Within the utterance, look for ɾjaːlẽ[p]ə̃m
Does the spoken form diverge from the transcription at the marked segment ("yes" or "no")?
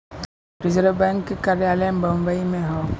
yes